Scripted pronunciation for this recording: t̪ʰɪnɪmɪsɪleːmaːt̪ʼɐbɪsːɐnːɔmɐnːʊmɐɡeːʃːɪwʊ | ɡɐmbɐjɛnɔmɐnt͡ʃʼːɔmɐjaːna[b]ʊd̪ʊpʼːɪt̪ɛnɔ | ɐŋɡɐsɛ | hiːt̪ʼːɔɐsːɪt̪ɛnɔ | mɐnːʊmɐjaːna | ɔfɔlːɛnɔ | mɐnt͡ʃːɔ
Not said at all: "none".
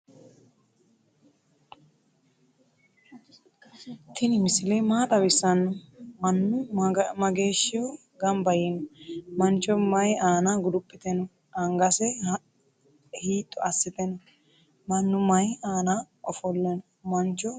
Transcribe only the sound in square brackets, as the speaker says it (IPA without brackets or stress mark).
ɡ